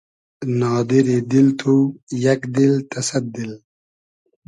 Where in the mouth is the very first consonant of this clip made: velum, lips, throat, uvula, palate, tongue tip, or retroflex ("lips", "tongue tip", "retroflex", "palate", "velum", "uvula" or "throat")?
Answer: tongue tip